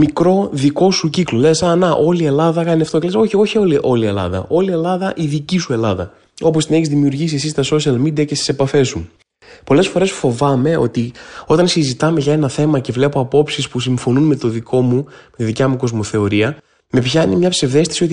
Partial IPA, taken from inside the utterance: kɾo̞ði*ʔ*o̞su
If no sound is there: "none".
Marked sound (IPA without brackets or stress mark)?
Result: k